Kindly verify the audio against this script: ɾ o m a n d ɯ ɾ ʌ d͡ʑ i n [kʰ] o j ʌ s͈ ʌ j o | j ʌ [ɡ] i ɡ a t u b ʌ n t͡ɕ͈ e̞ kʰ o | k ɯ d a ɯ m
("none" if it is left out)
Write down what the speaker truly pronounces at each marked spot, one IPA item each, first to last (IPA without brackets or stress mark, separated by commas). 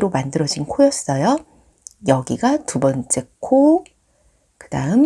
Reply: kʰ, ɡ